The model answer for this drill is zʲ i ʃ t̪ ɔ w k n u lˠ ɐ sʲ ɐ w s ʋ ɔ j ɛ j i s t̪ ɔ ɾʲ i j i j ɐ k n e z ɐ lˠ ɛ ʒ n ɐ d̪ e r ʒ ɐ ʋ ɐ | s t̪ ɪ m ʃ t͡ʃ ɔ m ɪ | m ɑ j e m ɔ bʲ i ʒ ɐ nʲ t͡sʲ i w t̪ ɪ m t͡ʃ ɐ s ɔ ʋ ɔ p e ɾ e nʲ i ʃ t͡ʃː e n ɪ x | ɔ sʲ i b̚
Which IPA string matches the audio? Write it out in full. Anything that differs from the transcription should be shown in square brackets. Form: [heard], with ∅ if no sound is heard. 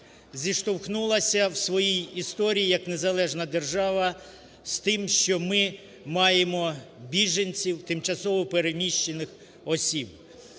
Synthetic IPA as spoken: zʲ i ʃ t̪ ɔ w [x] n u lˠ ɐ sʲ ɐ w s ʋ ɔ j [i] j i s t̪ ɔ ɾʲ i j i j ɐ k n e z ɐ lˠ ɛ ʒ n ɐ d̪ e r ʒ [ɑ] ʋ ɐ | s t̪ ɪ m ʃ t͡ʃ ɔ m ɪ | m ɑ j e m ɔ bʲ i ʒ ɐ nʲ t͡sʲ i w t̪ ɪ m t͡ʃ ɐ s ɔ ʋ ɔ p e ɾ e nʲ i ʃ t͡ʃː e n ɪ x | ɔ sʲ i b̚

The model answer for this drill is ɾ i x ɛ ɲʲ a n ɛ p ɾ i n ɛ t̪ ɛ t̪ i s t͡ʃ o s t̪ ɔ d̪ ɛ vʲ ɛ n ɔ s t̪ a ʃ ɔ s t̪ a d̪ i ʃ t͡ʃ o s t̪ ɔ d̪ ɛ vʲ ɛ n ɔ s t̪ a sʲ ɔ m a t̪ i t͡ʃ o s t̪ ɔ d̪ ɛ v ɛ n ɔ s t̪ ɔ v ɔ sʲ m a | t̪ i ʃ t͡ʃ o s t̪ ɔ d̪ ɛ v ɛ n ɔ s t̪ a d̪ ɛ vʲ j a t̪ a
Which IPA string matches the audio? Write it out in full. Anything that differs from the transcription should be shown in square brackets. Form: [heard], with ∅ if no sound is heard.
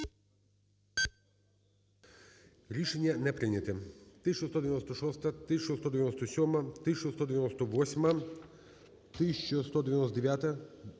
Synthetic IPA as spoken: ɾ i [ʃ] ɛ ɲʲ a n ɛ p ɾ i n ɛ t̪ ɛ t̪ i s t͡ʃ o s t̪ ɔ d̪ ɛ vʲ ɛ n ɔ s t̪ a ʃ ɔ s t̪ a [t̪] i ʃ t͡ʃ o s t̪ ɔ d̪ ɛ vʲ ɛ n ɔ s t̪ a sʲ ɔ m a t̪ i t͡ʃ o s t̪ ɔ d̪ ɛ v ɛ n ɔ s t̪ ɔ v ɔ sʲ m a | t̪ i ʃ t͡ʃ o s t̪ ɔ d̪ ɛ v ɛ n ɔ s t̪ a d̪ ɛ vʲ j a t̪ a

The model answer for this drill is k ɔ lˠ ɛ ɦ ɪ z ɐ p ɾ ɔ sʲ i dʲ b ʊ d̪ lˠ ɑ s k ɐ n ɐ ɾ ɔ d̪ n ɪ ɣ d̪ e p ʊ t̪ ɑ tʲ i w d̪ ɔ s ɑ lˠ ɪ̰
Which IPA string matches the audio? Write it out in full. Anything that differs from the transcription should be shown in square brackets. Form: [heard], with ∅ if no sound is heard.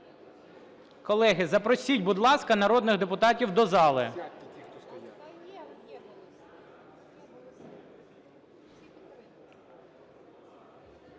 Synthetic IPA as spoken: k ɔ lˠ ɛ ɦ ɪ z ɐ p ɾ ɔ sʲ i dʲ b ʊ d̪ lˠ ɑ s k ɐ n ɐ ɾ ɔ d̪ n ɪ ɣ d̪ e p ʊ t̪ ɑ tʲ i w d̪ ɔ [z] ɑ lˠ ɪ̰

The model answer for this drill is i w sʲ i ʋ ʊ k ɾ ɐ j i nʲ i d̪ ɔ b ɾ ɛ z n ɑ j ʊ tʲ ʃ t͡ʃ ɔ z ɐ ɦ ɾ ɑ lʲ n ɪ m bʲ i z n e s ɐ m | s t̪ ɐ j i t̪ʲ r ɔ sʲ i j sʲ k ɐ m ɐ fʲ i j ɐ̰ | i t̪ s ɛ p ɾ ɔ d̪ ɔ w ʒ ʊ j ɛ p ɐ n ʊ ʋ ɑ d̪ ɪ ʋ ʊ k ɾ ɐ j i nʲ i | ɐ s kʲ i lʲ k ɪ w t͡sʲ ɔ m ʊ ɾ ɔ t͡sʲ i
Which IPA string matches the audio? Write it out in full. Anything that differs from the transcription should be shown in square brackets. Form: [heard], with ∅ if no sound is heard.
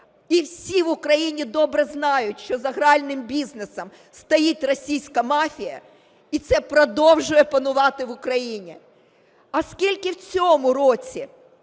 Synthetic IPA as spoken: i w sʲ i ʋ ʊ k ɾ ɐ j i nʲ i d̪ ɔ b ɾ ɛ z n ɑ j ʊ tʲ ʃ t͡ʃ ɔ z ɐ ɦ ɾ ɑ lʲ n ɪ m bʲ i z n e s ɐ m | s t̪ ɐ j i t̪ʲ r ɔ sʲ i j sʲ k ɐ m [ɑ] fʲ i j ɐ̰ | i t̪ s ɛ p ɾ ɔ d̪ ɔ w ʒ ʊ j ɛ p ɐ n ʊ ʋ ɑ [t̪] ɪ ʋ ʊ k ɾ ɐ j i nʲ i | ɐ s kʲ i lʲ k ɪ w t͡sʲ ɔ m ʊ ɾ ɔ t͡sʲ i

